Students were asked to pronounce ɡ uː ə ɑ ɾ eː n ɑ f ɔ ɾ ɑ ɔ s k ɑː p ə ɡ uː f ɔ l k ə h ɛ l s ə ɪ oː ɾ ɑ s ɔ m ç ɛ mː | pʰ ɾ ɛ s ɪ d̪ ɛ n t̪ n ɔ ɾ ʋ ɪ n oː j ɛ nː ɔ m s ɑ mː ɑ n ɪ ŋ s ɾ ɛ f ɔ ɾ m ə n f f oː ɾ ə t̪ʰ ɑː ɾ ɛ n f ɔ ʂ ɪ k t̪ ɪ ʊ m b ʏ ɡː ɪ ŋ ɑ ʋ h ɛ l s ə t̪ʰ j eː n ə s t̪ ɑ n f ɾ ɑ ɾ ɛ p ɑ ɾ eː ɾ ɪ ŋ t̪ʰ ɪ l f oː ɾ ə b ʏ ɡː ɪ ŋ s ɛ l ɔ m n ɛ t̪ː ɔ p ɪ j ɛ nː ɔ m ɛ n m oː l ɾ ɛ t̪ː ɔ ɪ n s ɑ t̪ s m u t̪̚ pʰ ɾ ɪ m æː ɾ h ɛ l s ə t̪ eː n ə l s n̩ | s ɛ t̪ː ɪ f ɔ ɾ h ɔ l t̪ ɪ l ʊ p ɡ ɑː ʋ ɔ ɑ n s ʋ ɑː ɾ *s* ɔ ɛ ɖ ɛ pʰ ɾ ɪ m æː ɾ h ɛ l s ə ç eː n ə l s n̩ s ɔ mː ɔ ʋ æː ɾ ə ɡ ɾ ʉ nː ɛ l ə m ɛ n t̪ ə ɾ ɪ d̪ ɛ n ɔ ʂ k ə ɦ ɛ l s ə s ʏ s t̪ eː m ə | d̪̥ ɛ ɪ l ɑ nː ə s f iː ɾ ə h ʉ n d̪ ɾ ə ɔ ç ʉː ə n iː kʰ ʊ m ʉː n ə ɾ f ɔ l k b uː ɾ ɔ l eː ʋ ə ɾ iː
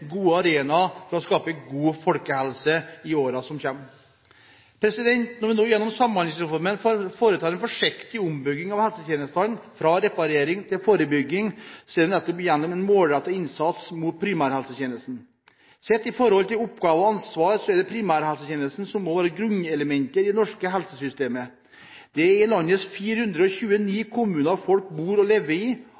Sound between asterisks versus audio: correct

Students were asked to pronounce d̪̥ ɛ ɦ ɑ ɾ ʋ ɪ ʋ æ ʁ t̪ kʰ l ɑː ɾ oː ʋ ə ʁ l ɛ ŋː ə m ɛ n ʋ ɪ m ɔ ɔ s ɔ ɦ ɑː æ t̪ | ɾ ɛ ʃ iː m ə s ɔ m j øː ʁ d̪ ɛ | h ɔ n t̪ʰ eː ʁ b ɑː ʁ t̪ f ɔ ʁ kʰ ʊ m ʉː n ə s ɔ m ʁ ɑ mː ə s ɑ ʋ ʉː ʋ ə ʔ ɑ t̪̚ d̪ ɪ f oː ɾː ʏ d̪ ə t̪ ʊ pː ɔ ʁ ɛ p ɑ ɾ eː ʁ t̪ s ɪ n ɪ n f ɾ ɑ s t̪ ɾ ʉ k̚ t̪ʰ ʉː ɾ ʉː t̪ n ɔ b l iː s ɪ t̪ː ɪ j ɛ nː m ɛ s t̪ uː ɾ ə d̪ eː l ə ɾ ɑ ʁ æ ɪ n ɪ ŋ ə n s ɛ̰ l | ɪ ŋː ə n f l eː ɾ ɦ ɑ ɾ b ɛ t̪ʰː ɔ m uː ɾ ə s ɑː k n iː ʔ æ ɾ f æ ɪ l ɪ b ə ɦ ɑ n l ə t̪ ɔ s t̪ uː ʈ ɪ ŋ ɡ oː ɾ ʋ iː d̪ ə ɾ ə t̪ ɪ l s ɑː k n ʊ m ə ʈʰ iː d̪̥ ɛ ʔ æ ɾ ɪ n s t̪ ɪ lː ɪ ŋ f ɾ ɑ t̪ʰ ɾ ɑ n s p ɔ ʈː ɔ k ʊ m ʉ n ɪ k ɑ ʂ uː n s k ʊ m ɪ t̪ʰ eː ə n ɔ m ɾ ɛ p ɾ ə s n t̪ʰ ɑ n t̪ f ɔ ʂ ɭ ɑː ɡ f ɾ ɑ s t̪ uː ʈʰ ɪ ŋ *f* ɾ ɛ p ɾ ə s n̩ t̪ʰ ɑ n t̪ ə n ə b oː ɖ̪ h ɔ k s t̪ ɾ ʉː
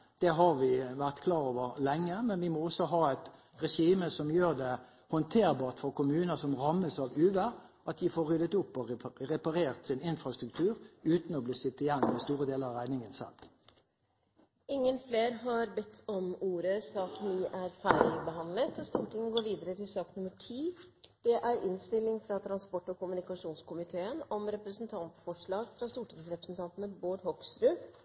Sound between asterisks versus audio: incorrect: s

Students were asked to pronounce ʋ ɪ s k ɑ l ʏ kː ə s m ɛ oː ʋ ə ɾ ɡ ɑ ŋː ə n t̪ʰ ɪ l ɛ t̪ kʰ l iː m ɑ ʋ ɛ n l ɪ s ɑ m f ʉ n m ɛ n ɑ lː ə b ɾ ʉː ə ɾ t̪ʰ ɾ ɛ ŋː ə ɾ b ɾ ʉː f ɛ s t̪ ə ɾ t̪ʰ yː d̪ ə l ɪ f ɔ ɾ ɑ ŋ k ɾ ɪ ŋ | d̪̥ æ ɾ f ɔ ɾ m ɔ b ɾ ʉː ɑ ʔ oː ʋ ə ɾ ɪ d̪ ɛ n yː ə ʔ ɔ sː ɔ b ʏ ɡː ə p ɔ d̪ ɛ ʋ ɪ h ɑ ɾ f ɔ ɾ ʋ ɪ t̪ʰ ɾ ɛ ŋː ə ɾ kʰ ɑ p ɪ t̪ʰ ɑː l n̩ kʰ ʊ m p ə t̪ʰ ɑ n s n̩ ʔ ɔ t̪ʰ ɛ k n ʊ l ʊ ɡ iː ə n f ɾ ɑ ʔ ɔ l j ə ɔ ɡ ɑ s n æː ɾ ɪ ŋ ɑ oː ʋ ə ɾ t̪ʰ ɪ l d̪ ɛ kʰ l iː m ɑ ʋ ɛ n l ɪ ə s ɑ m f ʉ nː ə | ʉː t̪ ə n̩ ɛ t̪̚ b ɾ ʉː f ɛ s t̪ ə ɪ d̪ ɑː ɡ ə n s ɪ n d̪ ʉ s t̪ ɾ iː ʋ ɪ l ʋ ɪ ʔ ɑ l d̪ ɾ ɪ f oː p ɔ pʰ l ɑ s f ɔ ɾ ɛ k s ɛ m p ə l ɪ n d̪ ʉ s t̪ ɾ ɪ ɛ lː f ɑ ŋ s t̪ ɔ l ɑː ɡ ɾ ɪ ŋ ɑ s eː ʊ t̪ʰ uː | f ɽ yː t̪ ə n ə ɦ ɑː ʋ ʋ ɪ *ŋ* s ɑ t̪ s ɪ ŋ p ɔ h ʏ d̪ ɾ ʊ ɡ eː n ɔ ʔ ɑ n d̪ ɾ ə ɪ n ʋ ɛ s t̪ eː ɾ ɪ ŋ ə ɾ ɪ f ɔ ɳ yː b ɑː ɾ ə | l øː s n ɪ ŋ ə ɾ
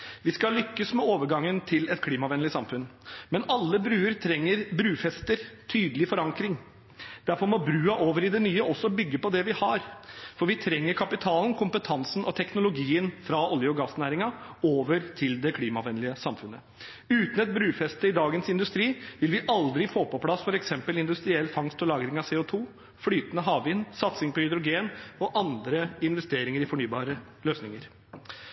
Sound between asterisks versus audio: incorrect: n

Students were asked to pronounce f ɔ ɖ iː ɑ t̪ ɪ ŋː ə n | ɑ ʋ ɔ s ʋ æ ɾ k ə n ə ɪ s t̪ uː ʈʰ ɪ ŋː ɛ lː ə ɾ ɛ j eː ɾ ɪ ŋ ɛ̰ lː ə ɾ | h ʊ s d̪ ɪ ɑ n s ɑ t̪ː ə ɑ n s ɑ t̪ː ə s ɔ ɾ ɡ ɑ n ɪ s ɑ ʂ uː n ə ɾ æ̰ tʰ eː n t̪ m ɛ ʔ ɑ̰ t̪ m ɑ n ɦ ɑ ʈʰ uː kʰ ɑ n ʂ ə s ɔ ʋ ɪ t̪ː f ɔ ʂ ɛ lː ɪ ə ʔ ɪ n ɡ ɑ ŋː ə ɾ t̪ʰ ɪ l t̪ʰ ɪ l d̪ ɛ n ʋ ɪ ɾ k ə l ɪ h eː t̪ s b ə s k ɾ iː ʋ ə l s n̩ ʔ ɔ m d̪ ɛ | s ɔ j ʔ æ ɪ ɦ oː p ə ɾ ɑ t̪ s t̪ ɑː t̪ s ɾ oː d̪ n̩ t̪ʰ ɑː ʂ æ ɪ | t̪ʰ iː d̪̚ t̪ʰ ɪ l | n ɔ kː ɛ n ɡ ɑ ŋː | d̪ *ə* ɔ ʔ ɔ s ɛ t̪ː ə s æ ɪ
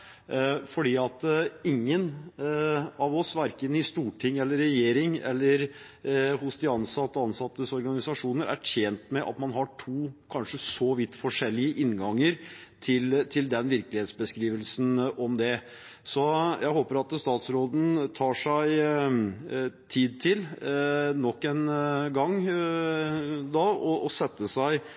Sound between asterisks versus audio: incorrect: ɑ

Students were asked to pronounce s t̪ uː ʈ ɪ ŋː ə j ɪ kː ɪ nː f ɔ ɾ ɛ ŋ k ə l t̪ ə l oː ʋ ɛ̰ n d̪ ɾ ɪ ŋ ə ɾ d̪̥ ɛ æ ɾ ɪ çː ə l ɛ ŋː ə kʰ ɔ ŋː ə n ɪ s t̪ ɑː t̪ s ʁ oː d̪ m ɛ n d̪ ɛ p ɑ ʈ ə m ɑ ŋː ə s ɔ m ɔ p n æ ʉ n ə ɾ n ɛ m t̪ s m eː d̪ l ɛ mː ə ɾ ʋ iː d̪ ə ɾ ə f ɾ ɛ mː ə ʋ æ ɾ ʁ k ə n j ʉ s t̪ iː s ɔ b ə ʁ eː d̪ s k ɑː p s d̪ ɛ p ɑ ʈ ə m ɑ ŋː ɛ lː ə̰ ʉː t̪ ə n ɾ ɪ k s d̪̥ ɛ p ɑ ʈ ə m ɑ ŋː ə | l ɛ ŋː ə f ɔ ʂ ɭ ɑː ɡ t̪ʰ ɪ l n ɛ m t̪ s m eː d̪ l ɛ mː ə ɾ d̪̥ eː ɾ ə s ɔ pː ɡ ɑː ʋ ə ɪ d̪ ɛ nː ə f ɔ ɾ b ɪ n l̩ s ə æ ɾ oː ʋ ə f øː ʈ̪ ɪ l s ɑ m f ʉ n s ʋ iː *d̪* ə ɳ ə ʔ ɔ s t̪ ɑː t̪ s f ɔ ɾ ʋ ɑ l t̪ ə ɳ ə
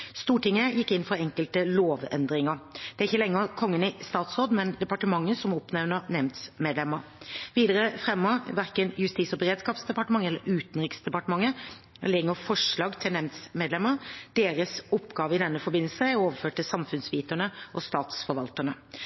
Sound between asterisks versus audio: incorrect: t̪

